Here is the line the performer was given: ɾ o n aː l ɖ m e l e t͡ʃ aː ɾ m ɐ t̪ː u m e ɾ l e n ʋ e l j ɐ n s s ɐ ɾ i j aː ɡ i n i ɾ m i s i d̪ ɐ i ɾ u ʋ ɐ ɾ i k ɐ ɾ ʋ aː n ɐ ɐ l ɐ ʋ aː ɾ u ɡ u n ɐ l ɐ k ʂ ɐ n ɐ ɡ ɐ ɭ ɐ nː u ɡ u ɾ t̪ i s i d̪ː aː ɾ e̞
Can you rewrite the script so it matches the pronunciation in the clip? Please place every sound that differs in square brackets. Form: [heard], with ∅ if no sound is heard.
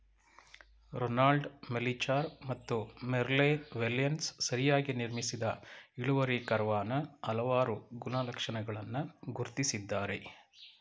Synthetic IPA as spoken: ɾ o n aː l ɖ m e l [i] t͡ʃ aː ɾ m ɐ t̪ː u m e ɾ l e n ʋ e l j ɐ n s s ɐ ɾ i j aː ɡ i n i ɾ m i s i d̪ ɐ i [ɭ] u ʋ ɐ ɾ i k ɐ ɾ ʋ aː n ɐ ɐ l ɐ ʋ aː ɾ u ɡ u n ɐ l ɐ k ʂ ɐ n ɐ ɡ ɐ ɭ ɐ nː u ɡ u ɾ t̪ i s i d̪ː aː ɾ e̞